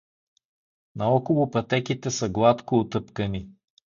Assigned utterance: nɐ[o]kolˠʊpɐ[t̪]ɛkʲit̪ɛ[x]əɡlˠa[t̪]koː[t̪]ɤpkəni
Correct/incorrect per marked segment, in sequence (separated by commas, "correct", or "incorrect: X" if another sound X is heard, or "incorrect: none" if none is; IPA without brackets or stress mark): incorrect: ɔ, correct, incorrect: s, correct, correct